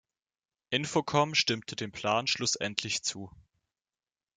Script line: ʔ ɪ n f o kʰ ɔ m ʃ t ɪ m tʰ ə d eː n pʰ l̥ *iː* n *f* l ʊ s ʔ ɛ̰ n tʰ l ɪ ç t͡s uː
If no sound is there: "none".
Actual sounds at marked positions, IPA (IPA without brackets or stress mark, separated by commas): aː, ʃ